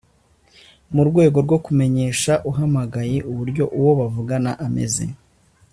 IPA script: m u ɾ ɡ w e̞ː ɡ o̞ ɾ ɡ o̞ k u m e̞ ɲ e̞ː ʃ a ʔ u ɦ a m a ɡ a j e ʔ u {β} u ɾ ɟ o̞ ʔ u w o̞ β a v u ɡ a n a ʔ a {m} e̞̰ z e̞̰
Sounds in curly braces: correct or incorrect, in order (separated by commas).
correct, correct